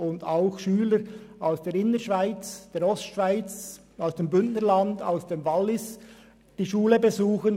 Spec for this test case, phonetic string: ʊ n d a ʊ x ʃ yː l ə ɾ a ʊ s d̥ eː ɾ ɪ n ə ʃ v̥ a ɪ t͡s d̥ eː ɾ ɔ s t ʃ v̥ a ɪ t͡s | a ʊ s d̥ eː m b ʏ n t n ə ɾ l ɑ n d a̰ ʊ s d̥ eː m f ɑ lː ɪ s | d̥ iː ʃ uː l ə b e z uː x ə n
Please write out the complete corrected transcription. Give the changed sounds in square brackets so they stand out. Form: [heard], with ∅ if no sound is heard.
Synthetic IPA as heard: ʊ n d a ʊ x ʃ yː l ə ɾ a ʊ s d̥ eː ɾ ɪ n ə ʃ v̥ a ɪ t͡s d̥ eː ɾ ɔ s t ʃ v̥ a ɪ t͡s | a ʊ s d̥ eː m b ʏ n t n ə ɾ l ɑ n d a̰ ʊ s d̥ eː m [v] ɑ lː ɪ s | d̥ iː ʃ uː l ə b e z uː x ə n